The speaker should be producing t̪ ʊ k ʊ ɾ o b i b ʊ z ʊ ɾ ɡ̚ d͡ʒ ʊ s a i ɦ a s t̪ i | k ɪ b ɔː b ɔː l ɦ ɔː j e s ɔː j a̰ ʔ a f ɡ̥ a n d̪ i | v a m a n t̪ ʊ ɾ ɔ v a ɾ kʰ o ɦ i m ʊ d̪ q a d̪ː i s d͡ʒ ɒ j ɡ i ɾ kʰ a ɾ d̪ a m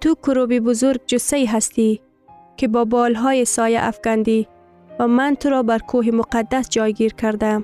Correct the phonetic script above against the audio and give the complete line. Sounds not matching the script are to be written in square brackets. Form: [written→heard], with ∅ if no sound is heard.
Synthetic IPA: t̪ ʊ k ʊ ɾ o b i b ʊ z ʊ ɾ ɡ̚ d͡ʒ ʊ s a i ɦ a s t̪ i | k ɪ b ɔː b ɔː l ɦ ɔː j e s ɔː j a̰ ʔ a f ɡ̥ a n d̪ i | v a m a n t̪ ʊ ɾ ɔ [v→b] a ɾ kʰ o ɦ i m ʊ [d̪→∅] q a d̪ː [i→a] s d͡ʒ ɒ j ɡ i ɾ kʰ a ɾ d̪ a m